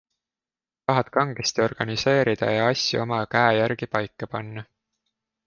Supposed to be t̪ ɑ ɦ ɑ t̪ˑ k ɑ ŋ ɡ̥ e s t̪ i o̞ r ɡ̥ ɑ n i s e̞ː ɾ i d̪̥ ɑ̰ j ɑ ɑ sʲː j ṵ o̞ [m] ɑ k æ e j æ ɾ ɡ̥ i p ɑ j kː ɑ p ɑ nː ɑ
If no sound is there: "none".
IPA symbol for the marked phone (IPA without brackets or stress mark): m